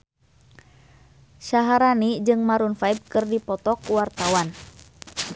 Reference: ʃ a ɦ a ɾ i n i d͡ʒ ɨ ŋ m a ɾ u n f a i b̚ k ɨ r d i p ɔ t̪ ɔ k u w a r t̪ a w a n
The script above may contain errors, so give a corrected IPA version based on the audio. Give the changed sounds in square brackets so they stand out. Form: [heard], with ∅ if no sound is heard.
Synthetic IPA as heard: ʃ a ɦ a ɾ [a] n i d͡ʒ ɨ ŋ m a ɾ u n f a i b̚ k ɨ r d i p ɔ t̪ ɔ k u w a r t̪ a w a n